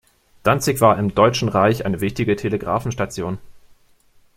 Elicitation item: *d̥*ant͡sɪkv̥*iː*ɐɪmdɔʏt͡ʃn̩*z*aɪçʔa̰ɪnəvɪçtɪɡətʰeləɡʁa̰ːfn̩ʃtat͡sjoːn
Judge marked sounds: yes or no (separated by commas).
yes, no, no